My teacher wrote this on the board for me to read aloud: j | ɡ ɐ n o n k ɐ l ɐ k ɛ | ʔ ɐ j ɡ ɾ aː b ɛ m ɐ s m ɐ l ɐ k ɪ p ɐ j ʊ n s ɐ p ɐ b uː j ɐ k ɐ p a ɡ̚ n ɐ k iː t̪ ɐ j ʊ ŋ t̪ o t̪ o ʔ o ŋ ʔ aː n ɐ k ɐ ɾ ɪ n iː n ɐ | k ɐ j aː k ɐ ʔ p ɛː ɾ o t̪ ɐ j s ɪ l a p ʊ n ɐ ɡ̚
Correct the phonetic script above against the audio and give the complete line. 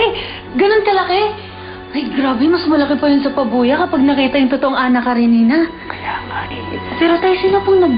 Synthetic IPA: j | ɡ ɐ n o n k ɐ l ɐ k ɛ | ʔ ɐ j ɡ ɾ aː b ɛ m ɐ s m ɐ l ɐ k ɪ p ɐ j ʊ n s ɐ p ɐ b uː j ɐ k ɐ p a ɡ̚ n ɐ k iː t̪ ɐ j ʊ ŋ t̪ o t̪ o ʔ o ŋ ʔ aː n ɐ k ɐ ɾ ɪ n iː n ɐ | k ɐ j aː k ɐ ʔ p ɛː ɾ o t̪ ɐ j s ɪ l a p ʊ n ɐ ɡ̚